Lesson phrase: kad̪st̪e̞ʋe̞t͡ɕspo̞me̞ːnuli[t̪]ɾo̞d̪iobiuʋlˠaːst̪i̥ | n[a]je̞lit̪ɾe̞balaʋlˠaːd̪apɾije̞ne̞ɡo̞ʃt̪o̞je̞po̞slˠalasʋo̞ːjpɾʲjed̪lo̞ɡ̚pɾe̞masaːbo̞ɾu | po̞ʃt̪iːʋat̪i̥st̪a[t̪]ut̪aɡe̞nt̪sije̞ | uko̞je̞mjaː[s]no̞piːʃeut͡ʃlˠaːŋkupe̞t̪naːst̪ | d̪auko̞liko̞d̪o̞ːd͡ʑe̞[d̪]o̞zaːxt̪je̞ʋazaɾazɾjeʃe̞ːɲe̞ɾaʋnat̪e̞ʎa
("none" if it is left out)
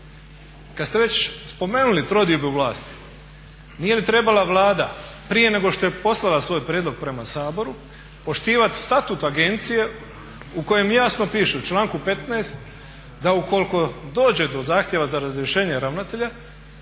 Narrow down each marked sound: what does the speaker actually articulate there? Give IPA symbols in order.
t̪, i, t̪, s, d̪

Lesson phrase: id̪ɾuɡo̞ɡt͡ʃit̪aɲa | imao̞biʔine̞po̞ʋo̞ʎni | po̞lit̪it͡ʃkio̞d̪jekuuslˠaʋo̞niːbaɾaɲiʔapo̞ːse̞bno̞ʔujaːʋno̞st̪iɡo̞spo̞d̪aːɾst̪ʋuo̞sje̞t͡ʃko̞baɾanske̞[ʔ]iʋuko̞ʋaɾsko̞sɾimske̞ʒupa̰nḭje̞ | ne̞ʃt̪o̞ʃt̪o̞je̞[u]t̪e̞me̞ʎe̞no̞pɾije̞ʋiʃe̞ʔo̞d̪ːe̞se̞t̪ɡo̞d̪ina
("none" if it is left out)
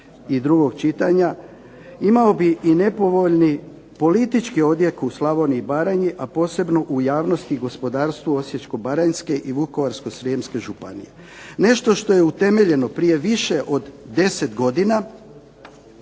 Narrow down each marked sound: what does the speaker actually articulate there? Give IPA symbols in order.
ʔ, u

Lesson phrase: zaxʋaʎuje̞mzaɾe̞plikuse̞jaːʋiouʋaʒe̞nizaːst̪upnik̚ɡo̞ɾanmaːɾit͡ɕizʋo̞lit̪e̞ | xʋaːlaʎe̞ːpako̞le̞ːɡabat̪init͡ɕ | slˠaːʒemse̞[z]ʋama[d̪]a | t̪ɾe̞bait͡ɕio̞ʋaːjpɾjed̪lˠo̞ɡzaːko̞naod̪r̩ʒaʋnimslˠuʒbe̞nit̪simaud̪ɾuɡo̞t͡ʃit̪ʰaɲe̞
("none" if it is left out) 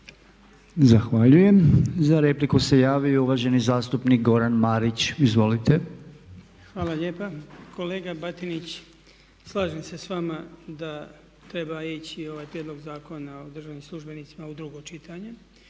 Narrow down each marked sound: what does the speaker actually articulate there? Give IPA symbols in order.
s, d̪

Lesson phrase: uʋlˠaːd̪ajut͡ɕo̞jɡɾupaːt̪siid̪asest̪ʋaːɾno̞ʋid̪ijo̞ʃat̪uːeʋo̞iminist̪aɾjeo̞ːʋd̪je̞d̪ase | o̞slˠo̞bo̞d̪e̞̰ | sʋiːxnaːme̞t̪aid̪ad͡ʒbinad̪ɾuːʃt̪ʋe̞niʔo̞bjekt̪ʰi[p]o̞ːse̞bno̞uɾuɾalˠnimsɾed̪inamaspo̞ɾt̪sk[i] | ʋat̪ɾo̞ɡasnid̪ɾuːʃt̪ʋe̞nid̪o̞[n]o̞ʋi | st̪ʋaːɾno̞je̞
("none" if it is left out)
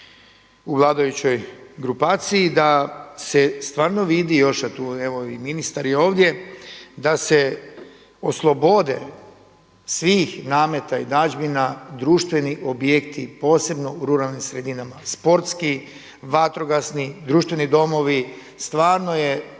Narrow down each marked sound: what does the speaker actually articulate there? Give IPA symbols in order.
p, i, m

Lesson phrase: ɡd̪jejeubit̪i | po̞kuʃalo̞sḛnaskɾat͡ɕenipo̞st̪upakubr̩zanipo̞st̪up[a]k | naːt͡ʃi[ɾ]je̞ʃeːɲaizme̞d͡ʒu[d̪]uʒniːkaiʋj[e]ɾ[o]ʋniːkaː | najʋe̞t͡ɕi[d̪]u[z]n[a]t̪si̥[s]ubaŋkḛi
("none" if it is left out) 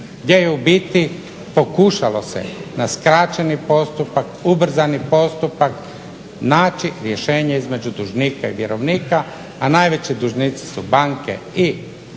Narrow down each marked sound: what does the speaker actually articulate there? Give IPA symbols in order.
a, ɾ, d̪, e, o, d̪, ʒ, i, s

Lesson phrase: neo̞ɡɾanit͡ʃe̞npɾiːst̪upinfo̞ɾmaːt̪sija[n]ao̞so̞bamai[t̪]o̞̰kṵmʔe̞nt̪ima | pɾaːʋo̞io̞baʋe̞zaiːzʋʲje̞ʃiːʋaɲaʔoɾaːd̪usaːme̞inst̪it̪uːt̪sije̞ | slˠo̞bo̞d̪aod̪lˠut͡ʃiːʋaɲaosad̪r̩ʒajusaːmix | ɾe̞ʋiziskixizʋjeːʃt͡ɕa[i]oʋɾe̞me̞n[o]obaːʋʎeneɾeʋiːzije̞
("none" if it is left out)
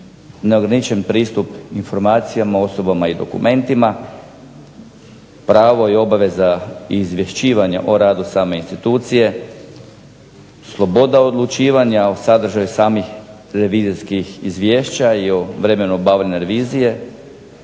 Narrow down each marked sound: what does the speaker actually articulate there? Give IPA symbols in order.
m, d̪, i, u

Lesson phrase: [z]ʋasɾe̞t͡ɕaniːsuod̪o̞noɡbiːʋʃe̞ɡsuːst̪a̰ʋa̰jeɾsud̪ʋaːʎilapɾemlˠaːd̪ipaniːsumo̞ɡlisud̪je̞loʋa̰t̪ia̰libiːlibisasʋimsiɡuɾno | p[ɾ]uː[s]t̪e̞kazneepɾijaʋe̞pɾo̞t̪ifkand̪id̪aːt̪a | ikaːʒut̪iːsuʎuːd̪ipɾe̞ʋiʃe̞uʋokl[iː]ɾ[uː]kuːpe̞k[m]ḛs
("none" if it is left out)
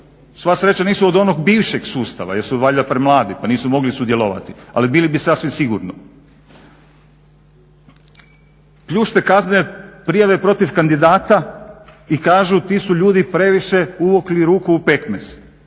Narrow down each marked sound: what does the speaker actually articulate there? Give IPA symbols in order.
s, ʎ, ʃ, i, uː, m

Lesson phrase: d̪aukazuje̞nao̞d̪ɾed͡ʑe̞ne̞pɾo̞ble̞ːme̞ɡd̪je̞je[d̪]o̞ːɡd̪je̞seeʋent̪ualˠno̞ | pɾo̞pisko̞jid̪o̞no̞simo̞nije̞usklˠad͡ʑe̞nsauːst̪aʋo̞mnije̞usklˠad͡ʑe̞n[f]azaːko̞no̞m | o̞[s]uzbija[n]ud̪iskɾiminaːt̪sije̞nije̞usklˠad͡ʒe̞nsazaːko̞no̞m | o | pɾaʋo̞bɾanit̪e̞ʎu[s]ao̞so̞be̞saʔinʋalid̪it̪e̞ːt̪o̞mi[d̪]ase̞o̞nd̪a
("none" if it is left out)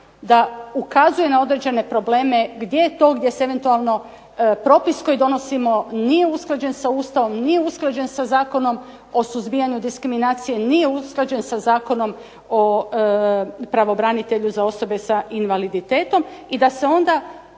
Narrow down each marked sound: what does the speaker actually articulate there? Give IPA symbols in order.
t̪, s, s, ɲ, z, d̪

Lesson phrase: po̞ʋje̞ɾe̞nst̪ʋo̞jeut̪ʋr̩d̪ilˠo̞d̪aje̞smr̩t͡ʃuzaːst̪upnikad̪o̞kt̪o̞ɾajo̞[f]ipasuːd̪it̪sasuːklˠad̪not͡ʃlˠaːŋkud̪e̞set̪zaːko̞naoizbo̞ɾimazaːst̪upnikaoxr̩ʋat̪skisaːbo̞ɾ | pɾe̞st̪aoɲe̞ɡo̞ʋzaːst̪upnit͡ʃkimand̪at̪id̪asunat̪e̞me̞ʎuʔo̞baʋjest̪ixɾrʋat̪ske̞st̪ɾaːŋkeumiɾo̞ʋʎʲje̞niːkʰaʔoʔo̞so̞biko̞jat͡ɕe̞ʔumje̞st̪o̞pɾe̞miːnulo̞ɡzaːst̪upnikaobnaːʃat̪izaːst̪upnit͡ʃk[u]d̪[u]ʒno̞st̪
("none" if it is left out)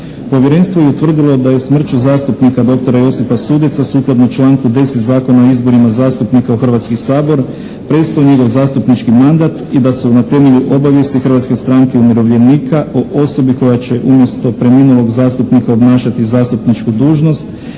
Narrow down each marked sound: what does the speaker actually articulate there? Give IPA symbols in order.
s, u, uː

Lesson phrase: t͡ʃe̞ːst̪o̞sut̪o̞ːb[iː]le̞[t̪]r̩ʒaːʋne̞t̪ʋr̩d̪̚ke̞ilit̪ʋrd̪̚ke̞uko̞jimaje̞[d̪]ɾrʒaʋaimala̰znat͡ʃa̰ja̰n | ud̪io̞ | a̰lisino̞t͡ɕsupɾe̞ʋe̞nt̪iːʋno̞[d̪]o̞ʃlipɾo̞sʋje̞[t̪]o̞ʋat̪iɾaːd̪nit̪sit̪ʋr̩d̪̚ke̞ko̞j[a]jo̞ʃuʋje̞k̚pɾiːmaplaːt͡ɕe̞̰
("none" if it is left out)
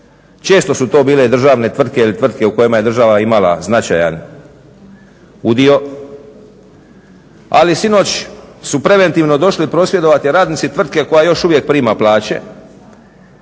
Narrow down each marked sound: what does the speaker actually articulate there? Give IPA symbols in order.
iː, d̪, d̪, d̪, d̪, a

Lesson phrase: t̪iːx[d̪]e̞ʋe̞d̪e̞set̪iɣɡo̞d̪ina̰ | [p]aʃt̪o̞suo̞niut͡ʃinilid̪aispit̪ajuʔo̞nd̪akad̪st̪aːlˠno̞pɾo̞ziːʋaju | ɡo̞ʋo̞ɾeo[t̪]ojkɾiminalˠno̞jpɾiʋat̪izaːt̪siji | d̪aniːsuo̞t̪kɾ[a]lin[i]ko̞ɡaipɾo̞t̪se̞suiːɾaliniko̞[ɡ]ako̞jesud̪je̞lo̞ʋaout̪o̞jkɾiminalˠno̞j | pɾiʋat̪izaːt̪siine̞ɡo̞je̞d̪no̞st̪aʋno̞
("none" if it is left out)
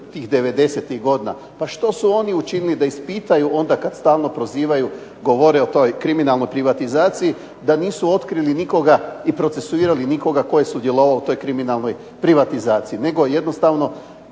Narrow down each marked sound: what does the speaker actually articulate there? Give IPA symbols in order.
d̪, p, t̪, i, i, ɡ

